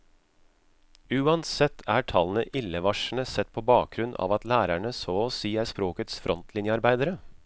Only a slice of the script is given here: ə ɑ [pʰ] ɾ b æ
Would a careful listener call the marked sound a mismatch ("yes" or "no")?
yes